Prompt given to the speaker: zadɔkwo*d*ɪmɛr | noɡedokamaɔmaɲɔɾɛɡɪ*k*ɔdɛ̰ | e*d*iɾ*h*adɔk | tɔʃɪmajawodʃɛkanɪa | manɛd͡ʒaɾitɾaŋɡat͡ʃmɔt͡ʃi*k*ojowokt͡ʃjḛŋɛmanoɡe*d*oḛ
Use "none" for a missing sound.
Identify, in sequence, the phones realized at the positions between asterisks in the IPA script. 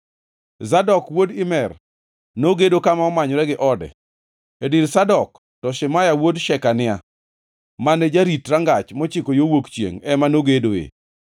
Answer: d, ʔ, d, s, k, d

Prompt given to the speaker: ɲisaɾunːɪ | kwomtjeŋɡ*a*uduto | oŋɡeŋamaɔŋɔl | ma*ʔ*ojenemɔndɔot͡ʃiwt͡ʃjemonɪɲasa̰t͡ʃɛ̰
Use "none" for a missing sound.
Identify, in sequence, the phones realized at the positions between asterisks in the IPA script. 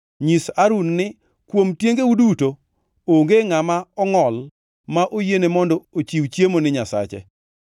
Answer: e, ʔ

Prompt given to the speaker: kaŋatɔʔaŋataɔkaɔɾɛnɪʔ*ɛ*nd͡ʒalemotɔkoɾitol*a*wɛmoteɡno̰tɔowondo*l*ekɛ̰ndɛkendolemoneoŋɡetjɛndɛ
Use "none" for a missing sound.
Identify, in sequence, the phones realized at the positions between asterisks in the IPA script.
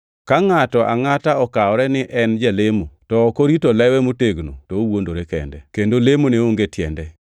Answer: ɛ, ɛ, ɾ

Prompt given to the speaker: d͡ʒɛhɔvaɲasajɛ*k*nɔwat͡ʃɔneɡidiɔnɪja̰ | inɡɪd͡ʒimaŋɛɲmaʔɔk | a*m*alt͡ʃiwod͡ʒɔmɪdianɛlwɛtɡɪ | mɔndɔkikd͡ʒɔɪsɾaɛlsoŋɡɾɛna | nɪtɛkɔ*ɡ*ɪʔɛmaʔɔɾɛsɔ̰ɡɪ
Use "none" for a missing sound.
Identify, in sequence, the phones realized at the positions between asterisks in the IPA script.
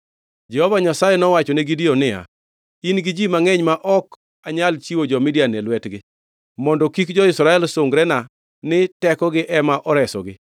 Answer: none, ɲ, ɡ

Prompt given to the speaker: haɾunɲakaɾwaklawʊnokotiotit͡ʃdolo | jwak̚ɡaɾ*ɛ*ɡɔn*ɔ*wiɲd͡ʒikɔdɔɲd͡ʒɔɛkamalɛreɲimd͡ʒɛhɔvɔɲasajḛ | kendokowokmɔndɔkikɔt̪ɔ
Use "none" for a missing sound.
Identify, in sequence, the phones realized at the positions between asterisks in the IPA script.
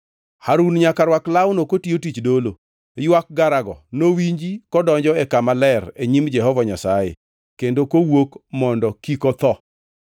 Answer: a, o

